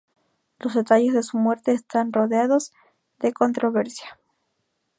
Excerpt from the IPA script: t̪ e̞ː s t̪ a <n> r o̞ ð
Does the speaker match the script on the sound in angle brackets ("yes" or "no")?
yes